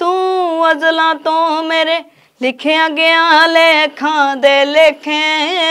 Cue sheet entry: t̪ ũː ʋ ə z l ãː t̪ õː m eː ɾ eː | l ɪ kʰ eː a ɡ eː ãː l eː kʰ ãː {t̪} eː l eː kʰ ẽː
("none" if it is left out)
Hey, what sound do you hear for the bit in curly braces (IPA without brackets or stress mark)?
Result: d̪